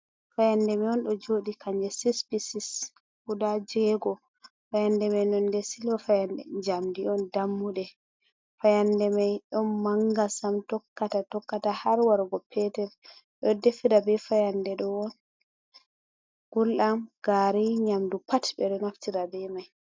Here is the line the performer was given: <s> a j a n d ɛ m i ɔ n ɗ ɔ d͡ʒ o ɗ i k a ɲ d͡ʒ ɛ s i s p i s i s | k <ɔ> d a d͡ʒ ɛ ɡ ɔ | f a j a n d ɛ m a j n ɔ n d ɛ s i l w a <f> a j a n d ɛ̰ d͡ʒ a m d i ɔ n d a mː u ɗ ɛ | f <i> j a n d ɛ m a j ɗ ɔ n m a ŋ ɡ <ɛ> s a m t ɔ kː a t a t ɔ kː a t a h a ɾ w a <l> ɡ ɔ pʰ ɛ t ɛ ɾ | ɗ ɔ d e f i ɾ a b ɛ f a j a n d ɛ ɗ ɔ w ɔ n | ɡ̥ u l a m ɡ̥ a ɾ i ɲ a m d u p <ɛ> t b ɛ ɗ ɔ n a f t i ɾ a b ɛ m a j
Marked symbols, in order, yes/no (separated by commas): no, no, yes, no, no, no, no